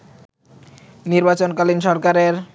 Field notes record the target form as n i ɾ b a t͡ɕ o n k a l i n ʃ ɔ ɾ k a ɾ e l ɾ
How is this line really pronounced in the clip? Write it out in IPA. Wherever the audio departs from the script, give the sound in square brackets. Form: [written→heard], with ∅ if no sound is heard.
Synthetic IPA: n i ɾ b a t͡ɕ o n k a l i n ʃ ɔ ɾ k a ɾ e [l→∅] ɾ